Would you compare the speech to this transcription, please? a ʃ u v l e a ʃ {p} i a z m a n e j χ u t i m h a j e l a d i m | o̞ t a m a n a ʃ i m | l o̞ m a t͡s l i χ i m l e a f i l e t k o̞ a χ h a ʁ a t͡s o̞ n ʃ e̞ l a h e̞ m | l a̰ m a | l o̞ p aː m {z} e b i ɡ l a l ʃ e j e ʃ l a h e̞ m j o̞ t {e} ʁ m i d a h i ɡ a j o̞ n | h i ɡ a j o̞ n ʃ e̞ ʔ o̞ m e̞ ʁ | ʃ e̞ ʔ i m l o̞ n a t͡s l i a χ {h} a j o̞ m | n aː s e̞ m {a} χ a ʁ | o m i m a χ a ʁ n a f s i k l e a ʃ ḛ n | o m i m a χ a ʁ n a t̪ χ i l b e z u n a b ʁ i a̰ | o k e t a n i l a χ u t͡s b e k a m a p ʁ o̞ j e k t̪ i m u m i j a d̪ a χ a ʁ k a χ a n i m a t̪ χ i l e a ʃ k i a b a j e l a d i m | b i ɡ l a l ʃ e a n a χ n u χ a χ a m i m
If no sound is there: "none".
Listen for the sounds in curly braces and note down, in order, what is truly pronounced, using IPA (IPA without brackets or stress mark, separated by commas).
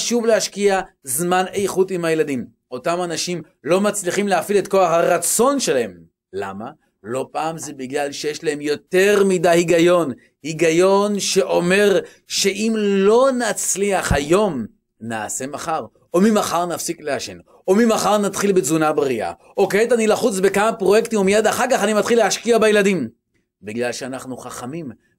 k, z, e, h, a